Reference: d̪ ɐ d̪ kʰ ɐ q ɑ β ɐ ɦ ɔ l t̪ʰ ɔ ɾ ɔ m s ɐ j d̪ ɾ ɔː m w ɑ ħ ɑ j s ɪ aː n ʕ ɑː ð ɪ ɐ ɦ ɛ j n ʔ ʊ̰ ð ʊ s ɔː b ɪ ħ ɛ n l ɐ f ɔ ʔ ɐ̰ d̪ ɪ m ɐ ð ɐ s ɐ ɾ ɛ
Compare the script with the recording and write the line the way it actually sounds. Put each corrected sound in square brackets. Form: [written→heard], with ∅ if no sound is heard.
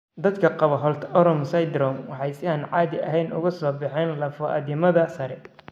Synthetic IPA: d̪ ɐ d̪ kʰ ɐ q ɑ β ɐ ɦ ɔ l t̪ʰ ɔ ɾ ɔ m s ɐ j d̪ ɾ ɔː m w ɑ ħ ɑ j s ɪ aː n ʕ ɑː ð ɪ ɐ ɦ ɛ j n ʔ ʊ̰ [ð→ɣ] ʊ s ɔː b ɪ ħ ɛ n l ɐ f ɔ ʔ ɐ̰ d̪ ɪ m ɐ ð ɐ s ɐ ɾ ɛ